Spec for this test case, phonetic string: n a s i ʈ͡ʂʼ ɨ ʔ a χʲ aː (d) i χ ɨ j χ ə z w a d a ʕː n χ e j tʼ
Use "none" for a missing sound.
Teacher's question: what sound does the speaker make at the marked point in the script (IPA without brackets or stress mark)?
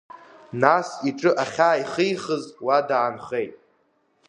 none